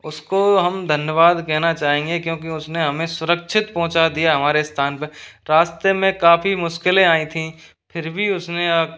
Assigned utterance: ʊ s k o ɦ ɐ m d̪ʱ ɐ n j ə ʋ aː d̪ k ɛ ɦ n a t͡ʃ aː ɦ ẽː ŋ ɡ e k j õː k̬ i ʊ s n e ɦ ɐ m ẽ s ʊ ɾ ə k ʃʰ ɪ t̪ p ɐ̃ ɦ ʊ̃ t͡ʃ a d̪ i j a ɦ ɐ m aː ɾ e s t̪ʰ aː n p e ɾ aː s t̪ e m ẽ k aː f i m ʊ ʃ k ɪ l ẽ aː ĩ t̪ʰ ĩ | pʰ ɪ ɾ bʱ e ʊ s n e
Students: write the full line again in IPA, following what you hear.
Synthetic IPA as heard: ʊ s k o ɦ ɐ m d̪ʱ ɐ n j ə ʋ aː d̪ k ɛ ɦ n a t͡ʃ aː ɦ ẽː ŋ ɡ e k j õː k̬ i ʊ s n e ɦ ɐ m ẽ s ʊ ɾ ə k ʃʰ ɪ t̪ p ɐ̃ ɦ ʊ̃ t͡ʃ a d̪ i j a ɦ ɐ m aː ɾ e s t̪ʰ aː n p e ɾ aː s t̪ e m ẽ k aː f i m ʊ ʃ k ɪ l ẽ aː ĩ t̪ʰ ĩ | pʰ ɪ ɾ bʱ i ʊ s n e